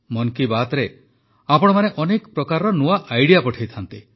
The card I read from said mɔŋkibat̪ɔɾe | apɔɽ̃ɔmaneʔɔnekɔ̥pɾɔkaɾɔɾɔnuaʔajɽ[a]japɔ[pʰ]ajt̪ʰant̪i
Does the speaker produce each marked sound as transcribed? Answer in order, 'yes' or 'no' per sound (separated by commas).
no, no